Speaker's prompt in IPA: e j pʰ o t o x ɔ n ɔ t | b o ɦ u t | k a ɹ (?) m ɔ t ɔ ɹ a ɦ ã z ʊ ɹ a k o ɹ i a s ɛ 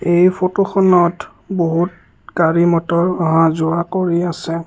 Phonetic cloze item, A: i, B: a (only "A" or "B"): A